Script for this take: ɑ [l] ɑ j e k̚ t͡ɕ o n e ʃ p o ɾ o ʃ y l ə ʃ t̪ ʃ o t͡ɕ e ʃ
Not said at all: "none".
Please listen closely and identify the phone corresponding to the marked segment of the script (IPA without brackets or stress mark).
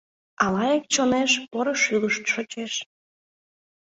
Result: l